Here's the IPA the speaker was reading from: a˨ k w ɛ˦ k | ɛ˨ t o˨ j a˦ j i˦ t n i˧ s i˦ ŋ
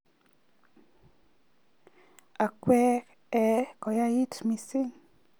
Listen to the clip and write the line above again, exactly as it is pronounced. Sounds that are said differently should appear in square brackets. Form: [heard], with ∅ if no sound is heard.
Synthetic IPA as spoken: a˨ k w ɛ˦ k | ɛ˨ [k] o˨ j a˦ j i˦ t [m] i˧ s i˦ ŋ